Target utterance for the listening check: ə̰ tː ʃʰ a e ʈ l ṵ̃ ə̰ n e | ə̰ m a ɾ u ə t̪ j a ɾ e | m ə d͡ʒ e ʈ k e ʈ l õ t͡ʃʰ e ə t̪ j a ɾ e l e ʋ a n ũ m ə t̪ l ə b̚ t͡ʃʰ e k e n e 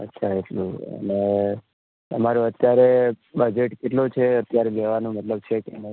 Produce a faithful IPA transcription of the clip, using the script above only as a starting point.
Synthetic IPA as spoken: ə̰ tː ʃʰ a e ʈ l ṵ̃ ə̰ n e | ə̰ m a ɾ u ə t̪ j a ɾ e | b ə d͡ʒ e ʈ k e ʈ l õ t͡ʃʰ e ə t̪ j a ɾ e l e ʋ a n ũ m ə t̪ l ə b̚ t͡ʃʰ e k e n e